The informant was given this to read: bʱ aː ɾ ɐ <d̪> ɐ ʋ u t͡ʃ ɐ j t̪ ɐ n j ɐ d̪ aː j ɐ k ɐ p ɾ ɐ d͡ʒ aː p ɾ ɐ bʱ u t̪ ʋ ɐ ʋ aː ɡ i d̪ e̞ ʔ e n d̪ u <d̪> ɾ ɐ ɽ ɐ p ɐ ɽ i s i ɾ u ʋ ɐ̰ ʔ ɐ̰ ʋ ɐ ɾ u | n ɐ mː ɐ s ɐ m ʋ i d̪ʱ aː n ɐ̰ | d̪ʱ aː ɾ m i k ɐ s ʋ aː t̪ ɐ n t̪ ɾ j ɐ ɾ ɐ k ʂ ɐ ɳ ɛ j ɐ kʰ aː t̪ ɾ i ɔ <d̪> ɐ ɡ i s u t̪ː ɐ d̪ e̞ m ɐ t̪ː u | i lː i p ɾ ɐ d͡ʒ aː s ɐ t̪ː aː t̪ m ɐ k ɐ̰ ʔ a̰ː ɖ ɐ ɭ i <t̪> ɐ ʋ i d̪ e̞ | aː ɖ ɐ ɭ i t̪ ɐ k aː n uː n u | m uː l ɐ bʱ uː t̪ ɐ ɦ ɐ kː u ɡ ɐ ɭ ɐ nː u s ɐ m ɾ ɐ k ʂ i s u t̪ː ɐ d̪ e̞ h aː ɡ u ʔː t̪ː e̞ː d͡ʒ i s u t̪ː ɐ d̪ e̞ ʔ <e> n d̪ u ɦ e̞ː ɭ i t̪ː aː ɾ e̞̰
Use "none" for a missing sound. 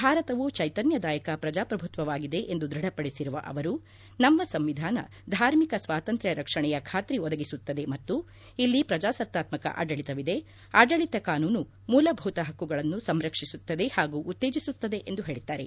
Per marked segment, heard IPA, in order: t̪, d̪, d̪, t̪, e

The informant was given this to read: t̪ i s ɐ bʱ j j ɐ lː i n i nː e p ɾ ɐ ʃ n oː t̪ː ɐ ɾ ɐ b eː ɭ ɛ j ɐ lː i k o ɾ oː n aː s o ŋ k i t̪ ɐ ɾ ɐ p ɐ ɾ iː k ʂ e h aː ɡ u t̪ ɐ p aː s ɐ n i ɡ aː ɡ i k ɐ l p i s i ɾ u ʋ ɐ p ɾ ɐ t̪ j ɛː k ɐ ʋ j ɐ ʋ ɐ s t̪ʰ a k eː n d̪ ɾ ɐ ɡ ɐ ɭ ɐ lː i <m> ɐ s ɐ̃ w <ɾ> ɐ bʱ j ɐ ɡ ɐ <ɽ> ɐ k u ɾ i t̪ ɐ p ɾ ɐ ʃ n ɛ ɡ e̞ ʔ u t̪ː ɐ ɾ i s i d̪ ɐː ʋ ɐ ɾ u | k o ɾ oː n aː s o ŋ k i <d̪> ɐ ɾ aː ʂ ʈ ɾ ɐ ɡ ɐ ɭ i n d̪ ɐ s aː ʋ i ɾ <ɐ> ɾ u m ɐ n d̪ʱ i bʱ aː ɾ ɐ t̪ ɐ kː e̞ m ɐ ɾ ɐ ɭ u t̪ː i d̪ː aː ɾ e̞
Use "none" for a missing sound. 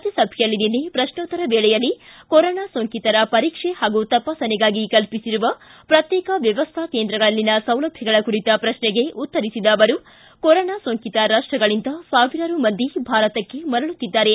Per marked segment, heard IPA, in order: n, l, ɭ, t̪, ɐ

